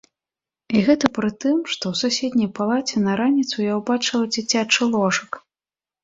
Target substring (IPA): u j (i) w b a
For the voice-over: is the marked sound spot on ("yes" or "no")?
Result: no